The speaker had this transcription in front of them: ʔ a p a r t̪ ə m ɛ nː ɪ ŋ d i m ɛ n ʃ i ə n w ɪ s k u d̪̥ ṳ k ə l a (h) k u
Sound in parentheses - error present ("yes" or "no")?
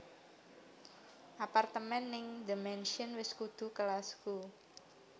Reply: yes